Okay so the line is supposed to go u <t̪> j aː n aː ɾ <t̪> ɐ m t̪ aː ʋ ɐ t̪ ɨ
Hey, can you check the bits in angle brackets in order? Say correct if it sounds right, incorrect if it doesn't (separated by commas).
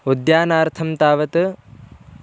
incorrect, incorrect